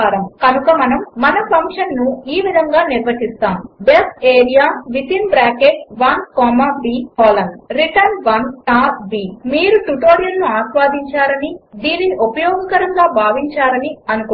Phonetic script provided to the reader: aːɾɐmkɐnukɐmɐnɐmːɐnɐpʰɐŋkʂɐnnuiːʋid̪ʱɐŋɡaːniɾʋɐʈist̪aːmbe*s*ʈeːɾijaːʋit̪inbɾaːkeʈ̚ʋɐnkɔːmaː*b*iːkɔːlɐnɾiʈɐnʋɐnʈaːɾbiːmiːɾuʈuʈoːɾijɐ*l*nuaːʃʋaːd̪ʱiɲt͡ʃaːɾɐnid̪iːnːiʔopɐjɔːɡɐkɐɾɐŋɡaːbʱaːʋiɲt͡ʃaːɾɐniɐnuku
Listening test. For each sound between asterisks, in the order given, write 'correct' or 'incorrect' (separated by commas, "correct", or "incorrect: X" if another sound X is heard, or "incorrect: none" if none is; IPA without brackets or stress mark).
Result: correct, correct, correct